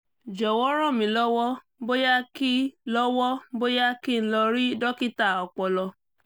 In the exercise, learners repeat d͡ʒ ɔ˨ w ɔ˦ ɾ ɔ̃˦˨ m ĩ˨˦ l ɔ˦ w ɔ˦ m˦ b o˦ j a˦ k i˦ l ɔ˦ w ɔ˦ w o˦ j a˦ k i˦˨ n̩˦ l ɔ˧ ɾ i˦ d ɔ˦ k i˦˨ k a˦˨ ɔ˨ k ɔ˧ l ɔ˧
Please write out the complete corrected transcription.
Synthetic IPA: d͡ʒ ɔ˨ w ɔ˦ ɾ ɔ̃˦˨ m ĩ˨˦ l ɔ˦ w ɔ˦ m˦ b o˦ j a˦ k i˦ l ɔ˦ w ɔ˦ b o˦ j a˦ k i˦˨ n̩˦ l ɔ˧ ɾ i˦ d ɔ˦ k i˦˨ t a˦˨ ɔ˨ k͡p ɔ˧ l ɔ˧